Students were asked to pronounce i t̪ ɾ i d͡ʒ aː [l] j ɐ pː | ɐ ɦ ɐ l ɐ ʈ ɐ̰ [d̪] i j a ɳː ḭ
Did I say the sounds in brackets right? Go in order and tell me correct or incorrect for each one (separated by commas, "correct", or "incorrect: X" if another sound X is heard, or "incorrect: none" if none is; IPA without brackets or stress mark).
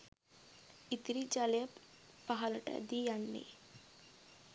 correct, correct